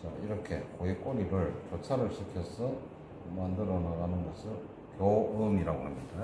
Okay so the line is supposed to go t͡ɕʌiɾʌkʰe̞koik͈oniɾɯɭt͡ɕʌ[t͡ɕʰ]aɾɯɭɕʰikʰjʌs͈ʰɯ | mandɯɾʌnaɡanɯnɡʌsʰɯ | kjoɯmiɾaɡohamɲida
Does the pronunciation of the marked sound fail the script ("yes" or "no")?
no